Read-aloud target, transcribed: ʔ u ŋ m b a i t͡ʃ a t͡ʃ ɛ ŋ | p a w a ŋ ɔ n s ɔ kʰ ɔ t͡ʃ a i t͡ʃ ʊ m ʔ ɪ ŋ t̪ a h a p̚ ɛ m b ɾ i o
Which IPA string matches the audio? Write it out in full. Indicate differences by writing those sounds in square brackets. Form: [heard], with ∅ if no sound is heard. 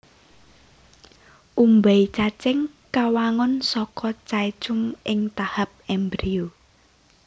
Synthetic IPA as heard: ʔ u [∅] m b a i t͡ʃ a t͡ʃ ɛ ŋ | [k] a w a ŋ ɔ n s ɔ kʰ ɔ t͡ʃ a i t͡ʃ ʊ m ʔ ɪ ŋ t̪ a h a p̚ ɛ m b ɾ i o